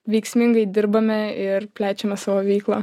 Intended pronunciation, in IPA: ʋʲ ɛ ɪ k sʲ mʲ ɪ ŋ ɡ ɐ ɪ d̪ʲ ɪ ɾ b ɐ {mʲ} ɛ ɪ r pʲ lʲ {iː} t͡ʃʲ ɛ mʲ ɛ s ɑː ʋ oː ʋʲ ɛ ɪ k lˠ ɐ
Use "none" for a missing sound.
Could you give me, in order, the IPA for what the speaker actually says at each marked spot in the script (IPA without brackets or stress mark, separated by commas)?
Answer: mʲ, æː